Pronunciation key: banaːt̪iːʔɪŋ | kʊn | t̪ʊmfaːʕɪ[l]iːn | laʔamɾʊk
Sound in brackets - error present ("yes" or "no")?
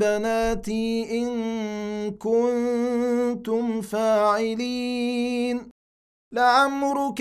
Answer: no